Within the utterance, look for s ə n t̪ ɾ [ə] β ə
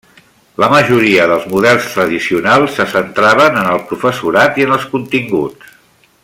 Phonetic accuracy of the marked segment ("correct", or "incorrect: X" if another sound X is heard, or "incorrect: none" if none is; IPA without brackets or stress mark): incorrect: a